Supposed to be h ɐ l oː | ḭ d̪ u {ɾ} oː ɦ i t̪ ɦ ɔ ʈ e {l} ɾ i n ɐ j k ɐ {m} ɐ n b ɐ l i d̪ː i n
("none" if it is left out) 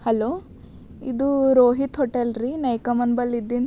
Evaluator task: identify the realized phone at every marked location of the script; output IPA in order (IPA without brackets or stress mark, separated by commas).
ɾ, l, m